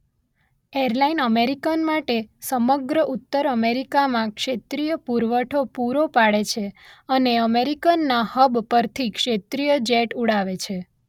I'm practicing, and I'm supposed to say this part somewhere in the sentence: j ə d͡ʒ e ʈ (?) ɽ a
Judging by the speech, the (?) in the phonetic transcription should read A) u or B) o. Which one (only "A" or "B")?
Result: A